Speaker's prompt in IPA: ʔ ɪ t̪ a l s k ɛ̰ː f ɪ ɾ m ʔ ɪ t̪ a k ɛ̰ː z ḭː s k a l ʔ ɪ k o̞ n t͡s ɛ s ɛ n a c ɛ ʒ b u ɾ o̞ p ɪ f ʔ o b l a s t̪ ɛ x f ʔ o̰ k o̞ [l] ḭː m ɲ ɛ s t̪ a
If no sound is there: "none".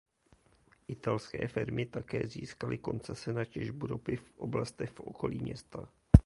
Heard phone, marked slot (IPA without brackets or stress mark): l